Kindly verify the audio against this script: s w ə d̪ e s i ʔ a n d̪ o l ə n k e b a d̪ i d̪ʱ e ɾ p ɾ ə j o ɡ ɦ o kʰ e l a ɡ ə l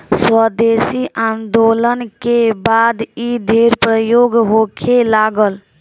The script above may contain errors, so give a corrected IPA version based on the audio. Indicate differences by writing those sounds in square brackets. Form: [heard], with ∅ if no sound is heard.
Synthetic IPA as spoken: s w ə d̪ e s i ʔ a n d̪ o l ə n k e b a d̪ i d̪ʱ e ɾ p ɾ ə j o ɡ ɦ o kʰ e l a ɡ ə l